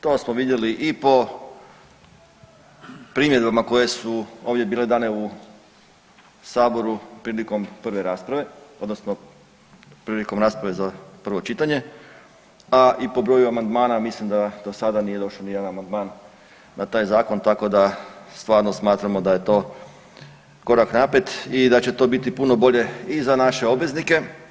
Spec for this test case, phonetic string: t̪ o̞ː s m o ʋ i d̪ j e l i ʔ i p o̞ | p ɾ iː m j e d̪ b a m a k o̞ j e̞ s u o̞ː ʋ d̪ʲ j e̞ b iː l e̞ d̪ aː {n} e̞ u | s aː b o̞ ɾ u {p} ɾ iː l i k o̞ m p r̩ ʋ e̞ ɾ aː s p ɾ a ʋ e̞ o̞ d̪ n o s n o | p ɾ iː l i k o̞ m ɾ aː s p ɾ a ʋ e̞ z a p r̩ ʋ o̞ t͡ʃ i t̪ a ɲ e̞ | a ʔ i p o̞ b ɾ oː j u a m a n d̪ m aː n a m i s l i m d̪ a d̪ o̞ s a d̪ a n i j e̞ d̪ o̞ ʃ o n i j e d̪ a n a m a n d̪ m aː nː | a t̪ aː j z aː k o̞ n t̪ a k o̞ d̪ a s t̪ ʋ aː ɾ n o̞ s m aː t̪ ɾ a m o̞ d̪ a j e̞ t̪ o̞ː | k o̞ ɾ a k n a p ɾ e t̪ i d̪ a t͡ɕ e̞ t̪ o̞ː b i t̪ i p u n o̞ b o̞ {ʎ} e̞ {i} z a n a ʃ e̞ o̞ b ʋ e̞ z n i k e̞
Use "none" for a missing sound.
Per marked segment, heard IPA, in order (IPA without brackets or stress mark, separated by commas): n, p, ʎ, i